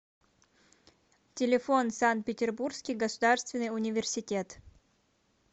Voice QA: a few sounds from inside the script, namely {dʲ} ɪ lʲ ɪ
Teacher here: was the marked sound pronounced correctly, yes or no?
no